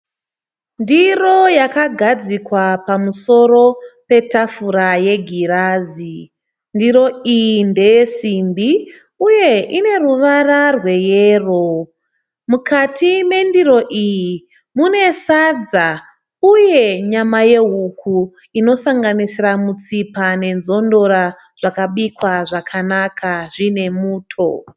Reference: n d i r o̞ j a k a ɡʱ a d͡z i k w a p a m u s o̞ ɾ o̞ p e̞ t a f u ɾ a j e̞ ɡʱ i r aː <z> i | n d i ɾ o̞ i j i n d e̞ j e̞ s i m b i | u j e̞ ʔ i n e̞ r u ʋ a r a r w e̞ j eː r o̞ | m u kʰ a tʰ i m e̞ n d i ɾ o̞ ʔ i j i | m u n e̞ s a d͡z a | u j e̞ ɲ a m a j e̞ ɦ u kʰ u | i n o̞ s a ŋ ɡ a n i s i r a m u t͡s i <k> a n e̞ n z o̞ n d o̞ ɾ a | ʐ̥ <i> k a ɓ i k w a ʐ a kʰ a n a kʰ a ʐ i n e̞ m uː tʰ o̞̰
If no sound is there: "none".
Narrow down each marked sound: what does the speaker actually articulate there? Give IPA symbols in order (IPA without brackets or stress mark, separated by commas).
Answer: z, p, a